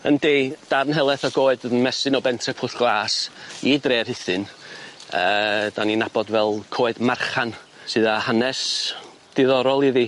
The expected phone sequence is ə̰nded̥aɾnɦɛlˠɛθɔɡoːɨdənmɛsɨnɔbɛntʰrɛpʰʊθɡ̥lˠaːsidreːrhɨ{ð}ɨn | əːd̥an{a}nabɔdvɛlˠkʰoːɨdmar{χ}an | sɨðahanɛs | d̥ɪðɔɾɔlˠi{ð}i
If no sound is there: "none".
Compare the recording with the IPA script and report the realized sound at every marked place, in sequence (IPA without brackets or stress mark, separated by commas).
θ, i, χ, ð